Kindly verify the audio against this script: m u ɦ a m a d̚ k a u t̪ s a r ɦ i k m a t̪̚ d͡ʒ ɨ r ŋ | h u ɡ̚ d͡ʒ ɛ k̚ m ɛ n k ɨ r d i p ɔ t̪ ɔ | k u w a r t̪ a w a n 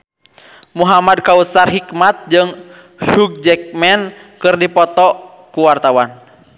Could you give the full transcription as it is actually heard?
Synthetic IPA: m u ɦ a m a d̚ k a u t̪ s a r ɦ i k m a t̪̚ d͡ʒ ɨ ŋ | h u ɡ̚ d͡ʒ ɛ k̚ m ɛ n k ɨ r d i p ɔ t̪ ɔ | k u w a r t̪ a w a n